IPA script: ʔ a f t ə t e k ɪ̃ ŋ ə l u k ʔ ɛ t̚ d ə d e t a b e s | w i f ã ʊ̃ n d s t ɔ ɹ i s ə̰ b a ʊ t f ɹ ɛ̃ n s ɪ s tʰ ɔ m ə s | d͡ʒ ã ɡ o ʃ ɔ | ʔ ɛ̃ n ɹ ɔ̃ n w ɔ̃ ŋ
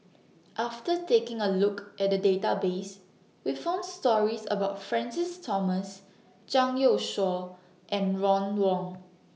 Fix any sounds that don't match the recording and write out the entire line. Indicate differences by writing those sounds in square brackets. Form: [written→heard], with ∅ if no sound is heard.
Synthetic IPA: ʔ a f t ə t e k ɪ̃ ŋ ə l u k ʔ ɛ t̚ d ə d e t a b e s | w i f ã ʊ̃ n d s t ɔ ɹ i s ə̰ b a ʊ t f ɹ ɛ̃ n s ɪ s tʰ ɔ m ə s | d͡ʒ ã [ɡ→ŋ] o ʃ ɔ | ʔ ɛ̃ n ɹ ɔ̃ n w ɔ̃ ŋ